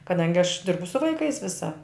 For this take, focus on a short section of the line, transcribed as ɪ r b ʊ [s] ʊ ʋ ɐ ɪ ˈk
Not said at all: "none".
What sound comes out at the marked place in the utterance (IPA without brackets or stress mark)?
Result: s